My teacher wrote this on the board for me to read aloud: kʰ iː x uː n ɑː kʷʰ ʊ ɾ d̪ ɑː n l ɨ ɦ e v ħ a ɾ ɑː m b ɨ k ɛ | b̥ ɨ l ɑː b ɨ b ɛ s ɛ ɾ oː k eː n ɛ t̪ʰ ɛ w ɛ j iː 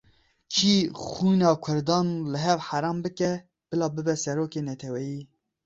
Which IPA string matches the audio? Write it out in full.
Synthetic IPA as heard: kʰ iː x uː n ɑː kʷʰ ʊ ɾ d̪ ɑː n l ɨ ɦ ɛ v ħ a ɾ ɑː m b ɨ k ɛ | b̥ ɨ l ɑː b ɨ b ɛ s ɛ ɾ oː k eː n ɛ t̪ʰ ɛ w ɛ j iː